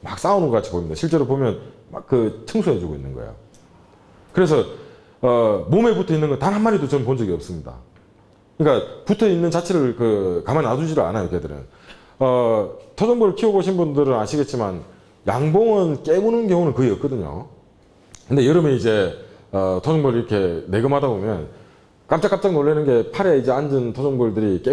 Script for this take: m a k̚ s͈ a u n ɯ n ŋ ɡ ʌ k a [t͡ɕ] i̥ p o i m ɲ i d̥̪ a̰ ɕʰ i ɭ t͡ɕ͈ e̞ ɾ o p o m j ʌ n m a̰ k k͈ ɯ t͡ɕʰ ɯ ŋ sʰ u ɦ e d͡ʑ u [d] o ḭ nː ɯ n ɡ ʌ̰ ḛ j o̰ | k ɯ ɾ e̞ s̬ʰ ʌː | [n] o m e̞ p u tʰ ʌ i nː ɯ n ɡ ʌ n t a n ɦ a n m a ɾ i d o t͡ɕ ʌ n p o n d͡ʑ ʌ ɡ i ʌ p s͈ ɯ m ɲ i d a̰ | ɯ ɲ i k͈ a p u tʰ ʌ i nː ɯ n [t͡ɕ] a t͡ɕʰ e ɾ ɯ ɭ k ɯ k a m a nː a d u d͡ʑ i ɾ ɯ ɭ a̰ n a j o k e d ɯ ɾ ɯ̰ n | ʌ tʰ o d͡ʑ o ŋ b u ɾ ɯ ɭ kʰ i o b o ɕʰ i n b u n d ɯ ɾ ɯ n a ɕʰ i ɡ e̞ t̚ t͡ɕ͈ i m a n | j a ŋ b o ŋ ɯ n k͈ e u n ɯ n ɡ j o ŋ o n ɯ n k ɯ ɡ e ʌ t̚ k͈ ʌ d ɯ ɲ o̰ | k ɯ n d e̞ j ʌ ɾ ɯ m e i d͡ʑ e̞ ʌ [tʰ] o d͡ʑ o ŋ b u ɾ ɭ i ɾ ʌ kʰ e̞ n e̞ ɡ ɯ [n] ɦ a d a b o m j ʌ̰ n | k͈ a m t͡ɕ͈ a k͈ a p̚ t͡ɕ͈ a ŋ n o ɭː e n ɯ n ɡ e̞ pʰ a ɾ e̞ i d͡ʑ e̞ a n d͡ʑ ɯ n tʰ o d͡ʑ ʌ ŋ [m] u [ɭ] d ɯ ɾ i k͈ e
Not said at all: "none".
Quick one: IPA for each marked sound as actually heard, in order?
t͡ɕʰ, ɡ, m, t͡ɕ, tʰ, m, b, ɭ

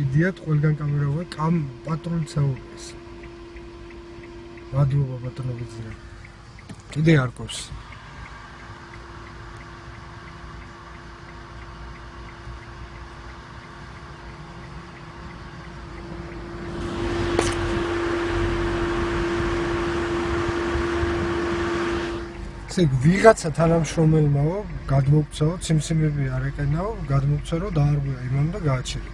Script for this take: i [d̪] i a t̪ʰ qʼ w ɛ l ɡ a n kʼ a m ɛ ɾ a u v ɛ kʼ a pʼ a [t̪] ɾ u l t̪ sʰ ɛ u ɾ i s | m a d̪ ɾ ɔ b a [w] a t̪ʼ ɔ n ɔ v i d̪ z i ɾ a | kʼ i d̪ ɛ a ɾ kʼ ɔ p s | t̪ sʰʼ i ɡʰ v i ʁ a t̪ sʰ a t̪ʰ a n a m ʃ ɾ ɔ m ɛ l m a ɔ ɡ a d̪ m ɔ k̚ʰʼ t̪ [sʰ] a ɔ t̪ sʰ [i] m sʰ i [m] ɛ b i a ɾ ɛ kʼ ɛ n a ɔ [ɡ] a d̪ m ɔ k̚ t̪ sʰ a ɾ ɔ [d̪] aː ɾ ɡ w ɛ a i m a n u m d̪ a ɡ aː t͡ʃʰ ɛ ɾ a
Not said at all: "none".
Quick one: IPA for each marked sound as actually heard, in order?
d̪, t̪ʼ, b, sʰ, i, m, ɡ, d̪

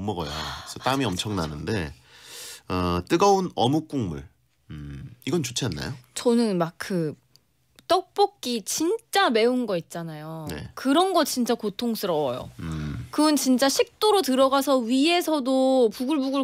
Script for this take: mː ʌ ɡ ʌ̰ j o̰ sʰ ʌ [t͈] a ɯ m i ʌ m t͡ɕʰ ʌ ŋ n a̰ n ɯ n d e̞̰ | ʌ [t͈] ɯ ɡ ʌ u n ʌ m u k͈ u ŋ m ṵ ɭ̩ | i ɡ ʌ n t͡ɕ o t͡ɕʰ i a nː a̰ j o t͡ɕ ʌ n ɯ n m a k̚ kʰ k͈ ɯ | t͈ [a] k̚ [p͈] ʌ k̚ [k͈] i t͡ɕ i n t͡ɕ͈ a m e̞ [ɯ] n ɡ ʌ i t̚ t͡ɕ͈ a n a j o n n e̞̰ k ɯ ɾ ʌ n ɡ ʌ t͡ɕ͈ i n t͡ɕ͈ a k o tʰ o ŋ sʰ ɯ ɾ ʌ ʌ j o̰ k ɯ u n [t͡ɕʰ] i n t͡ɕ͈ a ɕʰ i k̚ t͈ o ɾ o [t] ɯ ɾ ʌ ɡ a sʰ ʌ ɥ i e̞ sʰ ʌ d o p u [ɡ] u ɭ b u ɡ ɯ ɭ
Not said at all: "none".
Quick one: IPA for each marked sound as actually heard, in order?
t͈, t͈, ʌ, p͈, k͈, u, t͡ɕ, t, ɡ

